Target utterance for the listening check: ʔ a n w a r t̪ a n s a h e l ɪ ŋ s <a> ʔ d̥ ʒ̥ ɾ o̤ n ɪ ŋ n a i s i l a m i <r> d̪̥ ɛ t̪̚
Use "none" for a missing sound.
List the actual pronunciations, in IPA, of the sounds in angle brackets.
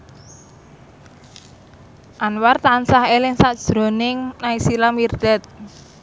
a, r

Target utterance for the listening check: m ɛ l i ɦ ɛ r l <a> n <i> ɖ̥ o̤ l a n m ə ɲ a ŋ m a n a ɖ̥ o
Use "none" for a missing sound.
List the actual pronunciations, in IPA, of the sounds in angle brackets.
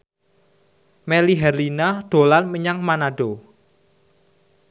i, a

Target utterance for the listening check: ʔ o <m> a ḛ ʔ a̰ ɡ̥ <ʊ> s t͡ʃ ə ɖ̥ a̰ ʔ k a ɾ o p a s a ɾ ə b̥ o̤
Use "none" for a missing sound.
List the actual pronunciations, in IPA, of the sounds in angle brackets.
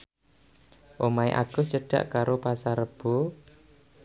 m, ʊ

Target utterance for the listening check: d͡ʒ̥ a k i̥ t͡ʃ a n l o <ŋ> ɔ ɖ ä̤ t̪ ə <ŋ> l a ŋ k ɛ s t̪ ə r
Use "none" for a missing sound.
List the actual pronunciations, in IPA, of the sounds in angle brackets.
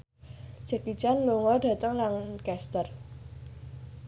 ŋ, ŋ

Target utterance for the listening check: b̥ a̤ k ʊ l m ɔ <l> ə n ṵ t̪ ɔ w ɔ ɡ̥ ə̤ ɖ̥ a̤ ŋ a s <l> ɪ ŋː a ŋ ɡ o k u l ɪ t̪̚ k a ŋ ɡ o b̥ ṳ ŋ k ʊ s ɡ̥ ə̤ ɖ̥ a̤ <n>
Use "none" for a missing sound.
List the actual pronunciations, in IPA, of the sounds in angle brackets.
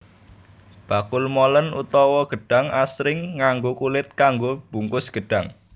l, ɾ, ŋ

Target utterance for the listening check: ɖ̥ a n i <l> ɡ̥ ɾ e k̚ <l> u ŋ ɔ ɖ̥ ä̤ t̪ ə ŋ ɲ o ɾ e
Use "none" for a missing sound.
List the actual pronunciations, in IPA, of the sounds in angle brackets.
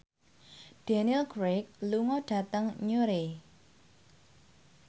l, l

